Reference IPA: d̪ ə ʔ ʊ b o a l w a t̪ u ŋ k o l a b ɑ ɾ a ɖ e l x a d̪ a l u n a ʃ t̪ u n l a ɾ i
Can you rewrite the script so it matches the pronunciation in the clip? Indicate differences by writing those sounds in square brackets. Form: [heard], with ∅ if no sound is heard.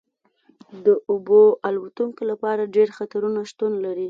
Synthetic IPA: d̪ ə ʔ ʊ b o a l w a t̪ u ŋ k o l a [p] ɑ ɾ a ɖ e [ɾ] x a [t̪] a [ɾ] u n a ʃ t̪ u n l a ɾ i